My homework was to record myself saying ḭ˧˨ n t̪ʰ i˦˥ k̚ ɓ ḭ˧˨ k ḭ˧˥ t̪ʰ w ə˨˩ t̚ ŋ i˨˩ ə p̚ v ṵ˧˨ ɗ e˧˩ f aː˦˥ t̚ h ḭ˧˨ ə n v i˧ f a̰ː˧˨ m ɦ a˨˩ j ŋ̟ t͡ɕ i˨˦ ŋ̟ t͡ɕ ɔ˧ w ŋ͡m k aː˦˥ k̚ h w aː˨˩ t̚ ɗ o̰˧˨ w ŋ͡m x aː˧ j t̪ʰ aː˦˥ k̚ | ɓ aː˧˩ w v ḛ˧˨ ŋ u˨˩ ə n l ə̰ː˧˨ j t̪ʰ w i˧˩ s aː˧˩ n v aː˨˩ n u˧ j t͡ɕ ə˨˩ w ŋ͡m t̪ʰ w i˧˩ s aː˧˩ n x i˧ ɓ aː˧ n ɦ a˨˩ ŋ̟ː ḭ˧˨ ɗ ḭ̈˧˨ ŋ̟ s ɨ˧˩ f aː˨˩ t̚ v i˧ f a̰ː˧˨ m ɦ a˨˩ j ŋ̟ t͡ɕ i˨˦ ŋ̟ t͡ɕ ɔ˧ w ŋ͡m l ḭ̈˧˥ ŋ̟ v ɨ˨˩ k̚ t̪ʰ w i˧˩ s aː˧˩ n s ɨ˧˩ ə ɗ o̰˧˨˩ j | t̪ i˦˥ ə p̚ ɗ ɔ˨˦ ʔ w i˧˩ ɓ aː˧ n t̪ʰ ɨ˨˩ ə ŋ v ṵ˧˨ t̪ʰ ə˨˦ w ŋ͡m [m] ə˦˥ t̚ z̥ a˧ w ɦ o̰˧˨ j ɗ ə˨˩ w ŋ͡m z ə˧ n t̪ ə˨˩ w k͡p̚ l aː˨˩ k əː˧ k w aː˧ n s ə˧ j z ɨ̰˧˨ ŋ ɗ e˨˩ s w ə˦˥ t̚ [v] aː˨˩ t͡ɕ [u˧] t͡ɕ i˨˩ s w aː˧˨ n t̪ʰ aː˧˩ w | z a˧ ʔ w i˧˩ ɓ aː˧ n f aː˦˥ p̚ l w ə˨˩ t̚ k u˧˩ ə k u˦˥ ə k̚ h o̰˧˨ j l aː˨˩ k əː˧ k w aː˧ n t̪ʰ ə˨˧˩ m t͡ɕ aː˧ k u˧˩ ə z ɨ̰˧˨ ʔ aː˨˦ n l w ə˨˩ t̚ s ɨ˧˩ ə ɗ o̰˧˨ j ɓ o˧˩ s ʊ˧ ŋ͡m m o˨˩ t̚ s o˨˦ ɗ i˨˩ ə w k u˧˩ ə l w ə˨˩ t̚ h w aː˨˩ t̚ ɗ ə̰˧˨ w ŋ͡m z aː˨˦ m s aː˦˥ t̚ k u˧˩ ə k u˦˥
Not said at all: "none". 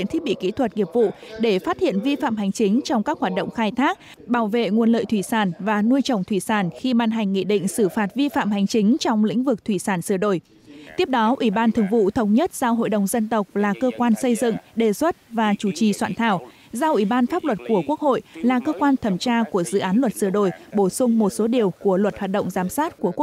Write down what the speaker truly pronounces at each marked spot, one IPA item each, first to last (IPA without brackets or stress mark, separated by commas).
ɲ, v, u˧˩